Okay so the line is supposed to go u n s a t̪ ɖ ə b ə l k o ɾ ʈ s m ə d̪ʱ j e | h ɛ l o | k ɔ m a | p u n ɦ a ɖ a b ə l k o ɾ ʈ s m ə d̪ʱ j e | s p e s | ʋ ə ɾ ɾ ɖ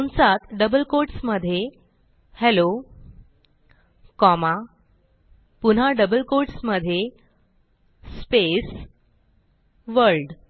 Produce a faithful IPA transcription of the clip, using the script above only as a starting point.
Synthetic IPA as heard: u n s a t̪ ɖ ə b ə l k o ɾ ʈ s m ə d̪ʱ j e | h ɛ l o | k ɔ m a | p u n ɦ a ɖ ə b ə l k o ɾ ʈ s m ə d̪ʱ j e | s p e s | ʋ ə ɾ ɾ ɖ